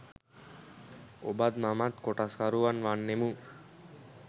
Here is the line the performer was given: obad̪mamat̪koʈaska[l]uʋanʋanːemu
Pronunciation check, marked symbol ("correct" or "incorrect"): incorrect